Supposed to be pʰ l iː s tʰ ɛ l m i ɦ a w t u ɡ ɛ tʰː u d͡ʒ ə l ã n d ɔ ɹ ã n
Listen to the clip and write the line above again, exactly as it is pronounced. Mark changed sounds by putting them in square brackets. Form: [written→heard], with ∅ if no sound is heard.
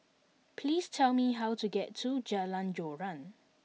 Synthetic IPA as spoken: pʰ l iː s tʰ ɛ l m i ɦ a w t u ɡ ɛ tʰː u d͡ʒ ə l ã n [d→d͡ʒ] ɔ ɹ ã n